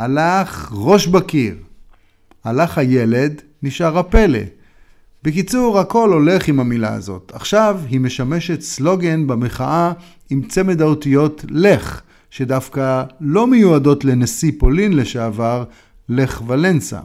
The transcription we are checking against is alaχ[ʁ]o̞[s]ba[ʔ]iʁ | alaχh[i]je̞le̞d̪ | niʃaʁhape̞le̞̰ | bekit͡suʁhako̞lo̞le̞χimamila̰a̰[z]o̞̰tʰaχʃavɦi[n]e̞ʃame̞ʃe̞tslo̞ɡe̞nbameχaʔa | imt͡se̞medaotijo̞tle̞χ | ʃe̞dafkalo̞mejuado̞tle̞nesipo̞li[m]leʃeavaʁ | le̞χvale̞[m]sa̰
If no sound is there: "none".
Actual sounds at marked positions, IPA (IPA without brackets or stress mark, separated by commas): ʁ, ʃ, k, a, z, m, n, n